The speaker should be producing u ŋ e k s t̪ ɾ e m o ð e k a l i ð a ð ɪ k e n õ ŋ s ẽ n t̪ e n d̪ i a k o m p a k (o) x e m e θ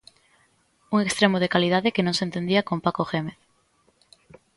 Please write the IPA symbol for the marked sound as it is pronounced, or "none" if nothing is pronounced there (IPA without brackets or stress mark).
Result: o